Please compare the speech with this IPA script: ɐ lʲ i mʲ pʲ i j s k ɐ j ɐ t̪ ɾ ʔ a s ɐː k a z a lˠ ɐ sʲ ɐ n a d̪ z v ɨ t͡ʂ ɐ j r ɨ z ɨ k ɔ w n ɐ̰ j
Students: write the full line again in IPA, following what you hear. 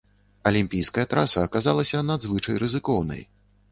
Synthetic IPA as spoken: ɐ lʲ i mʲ pʲ i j s k ɐ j ɐ t̪ ɾ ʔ a s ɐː k a z a lˠ ɐ sʲ ɐ n a d̪ z v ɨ t͡ʂ ɐ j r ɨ z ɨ k ɔ w n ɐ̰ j